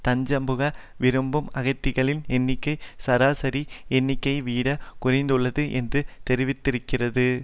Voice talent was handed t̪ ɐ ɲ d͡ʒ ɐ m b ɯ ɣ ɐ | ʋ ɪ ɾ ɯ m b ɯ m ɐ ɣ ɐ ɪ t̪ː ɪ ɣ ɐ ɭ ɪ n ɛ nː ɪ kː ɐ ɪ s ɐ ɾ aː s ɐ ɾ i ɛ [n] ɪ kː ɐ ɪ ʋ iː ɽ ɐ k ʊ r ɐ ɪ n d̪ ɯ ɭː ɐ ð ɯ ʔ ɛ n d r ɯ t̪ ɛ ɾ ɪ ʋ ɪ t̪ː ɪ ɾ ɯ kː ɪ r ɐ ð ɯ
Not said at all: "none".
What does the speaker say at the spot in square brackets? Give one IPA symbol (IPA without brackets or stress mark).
nː